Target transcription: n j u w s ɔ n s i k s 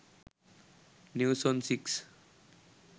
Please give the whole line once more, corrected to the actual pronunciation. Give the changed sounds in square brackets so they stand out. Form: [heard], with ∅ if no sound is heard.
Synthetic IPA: n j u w s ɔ n s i k s